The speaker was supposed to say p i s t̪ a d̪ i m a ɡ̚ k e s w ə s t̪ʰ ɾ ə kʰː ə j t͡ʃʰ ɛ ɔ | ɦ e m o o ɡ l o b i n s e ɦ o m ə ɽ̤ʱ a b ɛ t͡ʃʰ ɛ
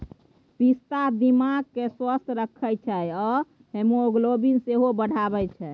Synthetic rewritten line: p i s t̪ a d̪ i m a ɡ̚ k e s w ə s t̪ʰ ɾ ə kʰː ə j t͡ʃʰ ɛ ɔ | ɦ e m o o ɡ l o b i n s e ɦ o b ə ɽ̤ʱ a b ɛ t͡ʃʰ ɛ